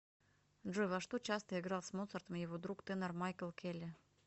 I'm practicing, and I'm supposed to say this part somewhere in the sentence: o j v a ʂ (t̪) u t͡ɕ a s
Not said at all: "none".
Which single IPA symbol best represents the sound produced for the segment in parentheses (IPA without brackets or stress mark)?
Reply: t̪